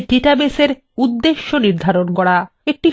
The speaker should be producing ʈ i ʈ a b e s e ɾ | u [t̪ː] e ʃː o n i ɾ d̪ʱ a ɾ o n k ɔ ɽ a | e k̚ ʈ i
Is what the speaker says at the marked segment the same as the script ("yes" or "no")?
no